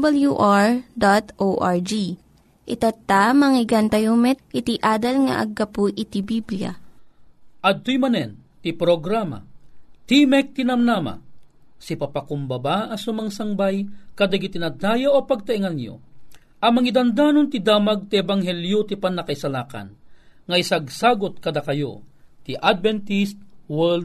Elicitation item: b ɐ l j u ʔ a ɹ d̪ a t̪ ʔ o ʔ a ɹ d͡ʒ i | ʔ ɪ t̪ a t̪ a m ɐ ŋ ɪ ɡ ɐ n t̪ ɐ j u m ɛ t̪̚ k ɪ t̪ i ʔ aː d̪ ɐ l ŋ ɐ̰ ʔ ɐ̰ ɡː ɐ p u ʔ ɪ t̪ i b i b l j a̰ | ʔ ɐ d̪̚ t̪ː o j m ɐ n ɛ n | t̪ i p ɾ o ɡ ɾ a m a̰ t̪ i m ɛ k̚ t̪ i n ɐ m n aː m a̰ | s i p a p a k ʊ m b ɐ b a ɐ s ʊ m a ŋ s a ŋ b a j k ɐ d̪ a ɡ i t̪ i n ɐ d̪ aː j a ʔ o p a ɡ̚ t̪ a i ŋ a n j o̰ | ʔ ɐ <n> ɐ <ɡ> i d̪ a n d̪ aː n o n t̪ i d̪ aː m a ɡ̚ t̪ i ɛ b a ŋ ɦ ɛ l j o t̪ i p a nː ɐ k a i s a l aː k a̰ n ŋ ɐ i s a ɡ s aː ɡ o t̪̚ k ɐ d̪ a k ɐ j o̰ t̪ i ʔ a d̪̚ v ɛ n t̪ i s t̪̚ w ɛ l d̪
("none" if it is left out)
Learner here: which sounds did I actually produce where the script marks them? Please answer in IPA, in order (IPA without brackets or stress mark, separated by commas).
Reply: m, ŋ